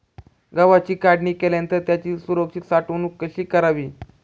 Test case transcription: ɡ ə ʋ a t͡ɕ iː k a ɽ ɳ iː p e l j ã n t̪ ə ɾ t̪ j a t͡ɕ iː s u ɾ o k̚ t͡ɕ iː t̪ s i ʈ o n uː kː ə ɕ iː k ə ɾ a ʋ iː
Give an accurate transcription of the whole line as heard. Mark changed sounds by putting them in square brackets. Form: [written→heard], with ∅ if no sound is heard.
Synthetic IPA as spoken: ɡ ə ʋ a t͡ɕ iː k a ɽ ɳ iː [p→k] e l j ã n t̪ ə ɾ t̪ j a t͡ɕ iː s u ɾ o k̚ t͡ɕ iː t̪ s [i→a] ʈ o n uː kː ə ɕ iː k ə ɾ a ʋ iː